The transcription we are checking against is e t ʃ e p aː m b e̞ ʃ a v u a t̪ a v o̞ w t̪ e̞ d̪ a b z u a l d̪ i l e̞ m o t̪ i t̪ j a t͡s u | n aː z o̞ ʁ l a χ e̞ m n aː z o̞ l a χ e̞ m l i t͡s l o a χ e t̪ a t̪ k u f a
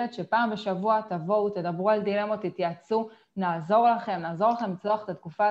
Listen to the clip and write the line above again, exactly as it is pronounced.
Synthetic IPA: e t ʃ e p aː m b e̞ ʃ a v u a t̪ a v o̞ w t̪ e̞ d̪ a b ʁ u a l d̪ i l e̞ m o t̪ i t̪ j a t͡s u | n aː z o̞ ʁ l a χ e̞ m n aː z o̞ l a χ e̞ m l i t͡s l o a χ e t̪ a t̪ k u f a